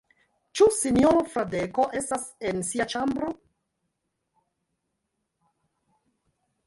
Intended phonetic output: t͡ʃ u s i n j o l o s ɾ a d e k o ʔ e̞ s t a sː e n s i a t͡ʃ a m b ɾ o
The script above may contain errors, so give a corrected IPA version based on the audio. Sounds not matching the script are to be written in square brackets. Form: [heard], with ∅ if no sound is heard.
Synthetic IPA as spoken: t͡ʃ u s i n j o [ɾ] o [f] ɾ a d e k o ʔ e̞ s t a [s] e n s i a t͡ʃ a m b ɾ o